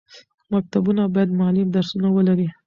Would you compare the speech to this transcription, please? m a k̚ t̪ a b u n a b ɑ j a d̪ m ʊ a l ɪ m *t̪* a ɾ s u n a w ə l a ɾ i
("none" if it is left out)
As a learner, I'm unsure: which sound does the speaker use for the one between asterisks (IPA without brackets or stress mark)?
d̪